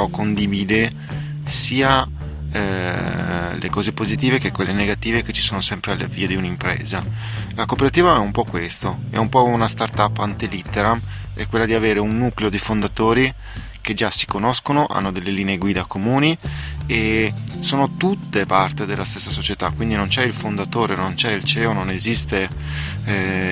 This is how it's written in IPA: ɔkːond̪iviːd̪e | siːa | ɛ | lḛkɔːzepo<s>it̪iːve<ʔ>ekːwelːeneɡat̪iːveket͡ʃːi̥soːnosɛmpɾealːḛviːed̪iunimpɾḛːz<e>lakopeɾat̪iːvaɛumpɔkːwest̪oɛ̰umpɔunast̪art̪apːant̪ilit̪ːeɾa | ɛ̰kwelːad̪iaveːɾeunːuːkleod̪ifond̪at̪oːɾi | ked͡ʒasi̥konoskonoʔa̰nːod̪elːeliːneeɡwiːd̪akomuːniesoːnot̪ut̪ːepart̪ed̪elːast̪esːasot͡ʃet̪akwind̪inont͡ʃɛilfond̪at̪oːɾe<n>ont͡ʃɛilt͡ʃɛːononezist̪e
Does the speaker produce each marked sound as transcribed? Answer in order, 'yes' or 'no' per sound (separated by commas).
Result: no, no, no, yes